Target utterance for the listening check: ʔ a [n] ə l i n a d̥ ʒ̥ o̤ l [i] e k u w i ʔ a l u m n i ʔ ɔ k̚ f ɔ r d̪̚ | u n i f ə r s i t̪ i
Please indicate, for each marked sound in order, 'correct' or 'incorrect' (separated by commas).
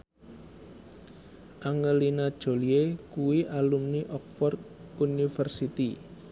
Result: incorrect, correct